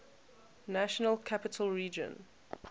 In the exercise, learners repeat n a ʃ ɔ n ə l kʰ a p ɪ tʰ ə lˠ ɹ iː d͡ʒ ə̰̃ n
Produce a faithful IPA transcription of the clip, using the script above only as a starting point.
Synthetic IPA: n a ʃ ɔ n ə l kʰ a p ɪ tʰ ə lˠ ɹ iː d͡ʒ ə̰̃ n